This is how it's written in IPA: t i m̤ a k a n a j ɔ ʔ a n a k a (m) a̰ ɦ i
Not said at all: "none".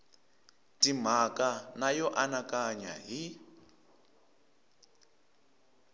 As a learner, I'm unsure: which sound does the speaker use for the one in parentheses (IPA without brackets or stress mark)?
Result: ɲ